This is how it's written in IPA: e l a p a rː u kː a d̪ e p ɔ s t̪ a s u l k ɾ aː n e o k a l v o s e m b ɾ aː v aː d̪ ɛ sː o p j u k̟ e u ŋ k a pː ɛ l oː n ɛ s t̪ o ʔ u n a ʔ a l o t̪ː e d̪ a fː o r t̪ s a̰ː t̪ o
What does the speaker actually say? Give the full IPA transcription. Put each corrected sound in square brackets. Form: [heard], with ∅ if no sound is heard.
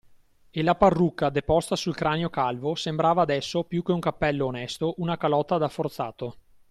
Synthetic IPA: e l a p a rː u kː a d̪ e p ɔ s t̪ a s u l k ɾ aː n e o k a l v o s e m b ɾ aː v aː d̪ ɛ sː o p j u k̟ e u ŋ k a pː ɛ [lː] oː n ɛ s t̪ o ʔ u n a [k] a l [ɔ] t̪ː [a] d̪ a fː o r t̪ s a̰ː t̪ o